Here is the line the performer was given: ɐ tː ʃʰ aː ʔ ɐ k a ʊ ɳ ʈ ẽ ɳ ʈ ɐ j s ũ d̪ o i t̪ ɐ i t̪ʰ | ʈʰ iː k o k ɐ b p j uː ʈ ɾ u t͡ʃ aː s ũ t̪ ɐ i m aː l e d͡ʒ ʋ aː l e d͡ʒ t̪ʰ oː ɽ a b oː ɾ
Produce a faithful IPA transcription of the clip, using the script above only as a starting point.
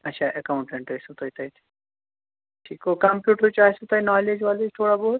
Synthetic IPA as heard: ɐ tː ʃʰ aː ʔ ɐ k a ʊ ɳ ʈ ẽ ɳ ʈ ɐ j s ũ t̪ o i t̪ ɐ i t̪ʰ | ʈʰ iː k o k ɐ m p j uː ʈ ɾ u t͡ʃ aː s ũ t̪ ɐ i n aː l e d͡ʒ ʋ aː l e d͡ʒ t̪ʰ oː ɽ a b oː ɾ